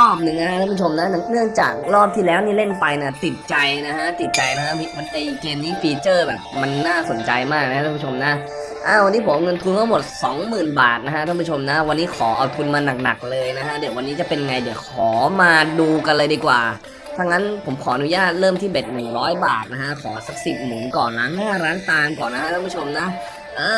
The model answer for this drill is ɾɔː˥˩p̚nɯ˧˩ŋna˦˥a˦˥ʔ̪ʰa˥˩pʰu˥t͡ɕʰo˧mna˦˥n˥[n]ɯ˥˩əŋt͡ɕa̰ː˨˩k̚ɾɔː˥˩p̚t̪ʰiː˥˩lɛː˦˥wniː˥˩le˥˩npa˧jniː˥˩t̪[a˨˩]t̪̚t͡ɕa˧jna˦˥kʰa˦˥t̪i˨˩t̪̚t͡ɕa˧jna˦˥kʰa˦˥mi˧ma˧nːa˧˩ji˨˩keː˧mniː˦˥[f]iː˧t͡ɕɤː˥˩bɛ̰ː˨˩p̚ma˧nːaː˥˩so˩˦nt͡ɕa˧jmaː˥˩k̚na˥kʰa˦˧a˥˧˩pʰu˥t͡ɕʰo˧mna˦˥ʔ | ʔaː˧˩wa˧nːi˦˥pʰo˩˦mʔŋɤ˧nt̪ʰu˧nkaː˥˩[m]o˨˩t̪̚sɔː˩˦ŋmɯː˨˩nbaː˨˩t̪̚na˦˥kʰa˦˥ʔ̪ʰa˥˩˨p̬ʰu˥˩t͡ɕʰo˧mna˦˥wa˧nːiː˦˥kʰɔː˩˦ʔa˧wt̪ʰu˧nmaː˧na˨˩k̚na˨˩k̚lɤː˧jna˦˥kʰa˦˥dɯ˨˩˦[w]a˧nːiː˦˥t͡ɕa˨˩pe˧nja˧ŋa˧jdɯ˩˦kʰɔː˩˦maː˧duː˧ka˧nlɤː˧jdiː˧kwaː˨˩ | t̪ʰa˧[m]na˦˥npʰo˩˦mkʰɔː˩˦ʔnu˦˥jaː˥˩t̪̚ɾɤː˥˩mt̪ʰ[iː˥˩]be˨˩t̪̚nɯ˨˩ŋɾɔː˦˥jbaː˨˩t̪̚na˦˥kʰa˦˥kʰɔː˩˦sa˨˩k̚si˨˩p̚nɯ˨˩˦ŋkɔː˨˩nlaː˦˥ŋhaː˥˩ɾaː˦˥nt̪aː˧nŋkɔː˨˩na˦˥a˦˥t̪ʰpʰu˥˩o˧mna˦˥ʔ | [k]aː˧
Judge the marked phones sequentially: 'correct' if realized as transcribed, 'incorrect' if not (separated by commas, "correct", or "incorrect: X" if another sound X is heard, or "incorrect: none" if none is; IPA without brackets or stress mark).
correct, incorrect: i˨˩, correct, correct, correct, incorrect: ŋ, correct, incorrect: ʔ